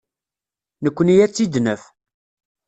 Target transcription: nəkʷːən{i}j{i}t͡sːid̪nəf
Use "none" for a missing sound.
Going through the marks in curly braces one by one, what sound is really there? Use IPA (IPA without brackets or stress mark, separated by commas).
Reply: i, æ